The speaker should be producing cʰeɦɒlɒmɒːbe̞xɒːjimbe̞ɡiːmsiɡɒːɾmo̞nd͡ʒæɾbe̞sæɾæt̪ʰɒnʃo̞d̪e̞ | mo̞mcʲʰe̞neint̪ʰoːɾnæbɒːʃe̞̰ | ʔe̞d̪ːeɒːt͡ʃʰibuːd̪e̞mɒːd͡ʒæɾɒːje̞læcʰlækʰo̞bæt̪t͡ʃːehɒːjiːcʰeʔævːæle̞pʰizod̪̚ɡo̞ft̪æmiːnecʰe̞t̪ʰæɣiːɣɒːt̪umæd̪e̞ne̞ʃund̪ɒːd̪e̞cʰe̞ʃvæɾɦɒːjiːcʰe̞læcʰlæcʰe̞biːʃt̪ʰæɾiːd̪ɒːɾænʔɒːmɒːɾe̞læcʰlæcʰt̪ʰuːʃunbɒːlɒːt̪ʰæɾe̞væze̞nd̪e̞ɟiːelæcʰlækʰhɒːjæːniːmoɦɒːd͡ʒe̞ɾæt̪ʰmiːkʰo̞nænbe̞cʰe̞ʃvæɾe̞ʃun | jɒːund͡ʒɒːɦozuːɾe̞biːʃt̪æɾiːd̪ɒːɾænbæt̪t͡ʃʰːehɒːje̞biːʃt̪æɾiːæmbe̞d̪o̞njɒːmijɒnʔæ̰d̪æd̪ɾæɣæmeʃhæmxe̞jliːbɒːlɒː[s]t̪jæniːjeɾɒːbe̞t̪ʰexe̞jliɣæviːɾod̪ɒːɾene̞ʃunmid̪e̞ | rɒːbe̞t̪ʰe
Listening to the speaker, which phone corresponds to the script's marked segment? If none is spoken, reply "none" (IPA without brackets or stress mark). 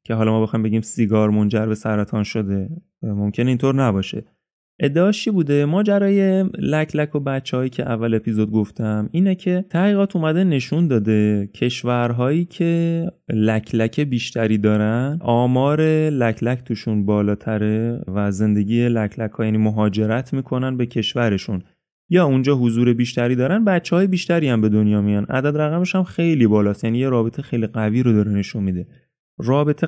s